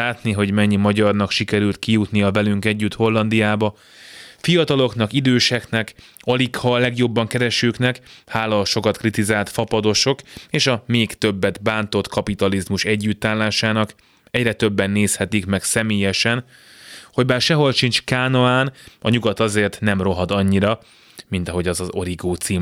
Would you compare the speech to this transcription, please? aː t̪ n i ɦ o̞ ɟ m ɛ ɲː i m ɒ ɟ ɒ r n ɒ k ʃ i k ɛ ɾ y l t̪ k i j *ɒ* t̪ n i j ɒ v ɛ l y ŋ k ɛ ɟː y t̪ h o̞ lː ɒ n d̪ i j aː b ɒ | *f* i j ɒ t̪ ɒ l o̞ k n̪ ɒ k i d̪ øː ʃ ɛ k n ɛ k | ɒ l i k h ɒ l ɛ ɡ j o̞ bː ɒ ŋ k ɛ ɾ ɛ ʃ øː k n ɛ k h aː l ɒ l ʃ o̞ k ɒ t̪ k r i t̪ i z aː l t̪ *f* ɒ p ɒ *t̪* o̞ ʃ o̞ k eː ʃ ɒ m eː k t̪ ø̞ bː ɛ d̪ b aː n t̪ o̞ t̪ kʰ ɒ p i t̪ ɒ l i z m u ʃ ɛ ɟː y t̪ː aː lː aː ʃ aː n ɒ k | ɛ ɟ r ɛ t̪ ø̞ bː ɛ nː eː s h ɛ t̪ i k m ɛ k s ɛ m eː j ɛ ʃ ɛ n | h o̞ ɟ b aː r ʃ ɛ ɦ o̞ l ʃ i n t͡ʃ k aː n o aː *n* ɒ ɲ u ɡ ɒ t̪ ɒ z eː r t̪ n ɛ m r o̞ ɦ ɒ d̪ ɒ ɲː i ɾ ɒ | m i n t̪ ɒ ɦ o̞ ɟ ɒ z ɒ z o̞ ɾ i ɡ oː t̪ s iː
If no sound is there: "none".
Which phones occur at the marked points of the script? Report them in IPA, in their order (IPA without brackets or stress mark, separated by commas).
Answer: u, f, f, d̪, n